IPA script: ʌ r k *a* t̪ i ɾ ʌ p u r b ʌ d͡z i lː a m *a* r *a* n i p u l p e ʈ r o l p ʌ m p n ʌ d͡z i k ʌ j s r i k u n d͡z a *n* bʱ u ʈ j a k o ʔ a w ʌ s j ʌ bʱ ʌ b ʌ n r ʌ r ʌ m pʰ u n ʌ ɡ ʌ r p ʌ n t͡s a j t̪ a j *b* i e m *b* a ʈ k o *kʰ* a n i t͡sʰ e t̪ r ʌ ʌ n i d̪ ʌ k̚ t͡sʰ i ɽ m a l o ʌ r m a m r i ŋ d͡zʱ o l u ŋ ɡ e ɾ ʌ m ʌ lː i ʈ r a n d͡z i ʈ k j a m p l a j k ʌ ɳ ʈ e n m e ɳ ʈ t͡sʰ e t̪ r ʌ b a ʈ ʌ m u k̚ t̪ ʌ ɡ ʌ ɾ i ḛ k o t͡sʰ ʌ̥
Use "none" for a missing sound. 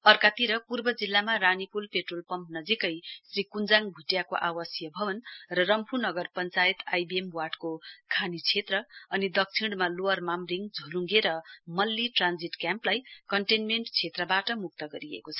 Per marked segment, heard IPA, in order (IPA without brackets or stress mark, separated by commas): a, a, a, ŋ, b, w, kʰ